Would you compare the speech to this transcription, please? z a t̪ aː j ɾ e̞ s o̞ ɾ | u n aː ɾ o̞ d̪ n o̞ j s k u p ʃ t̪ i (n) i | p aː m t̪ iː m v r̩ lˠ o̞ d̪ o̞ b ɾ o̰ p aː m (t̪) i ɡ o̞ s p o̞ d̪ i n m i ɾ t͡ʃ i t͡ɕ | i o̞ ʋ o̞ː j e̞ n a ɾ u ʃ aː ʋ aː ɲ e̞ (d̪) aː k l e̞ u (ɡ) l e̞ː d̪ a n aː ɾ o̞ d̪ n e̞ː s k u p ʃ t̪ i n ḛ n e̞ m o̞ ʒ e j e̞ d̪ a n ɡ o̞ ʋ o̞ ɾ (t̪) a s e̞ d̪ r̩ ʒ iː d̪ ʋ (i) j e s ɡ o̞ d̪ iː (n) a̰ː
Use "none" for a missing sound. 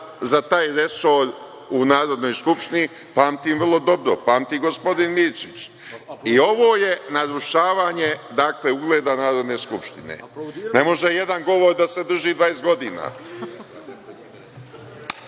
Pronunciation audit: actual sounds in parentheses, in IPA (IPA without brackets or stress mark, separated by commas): n, t̪, d̪, ɡ, d̪, a, n